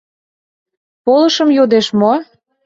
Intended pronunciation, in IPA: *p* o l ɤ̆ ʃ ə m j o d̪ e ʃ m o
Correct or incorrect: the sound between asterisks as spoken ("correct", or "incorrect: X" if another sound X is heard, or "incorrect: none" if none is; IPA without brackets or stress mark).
correct